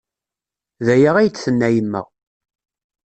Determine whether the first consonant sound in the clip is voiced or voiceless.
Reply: voiced